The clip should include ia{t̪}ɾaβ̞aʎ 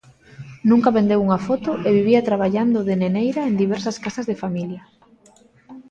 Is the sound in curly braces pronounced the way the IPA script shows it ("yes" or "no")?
yes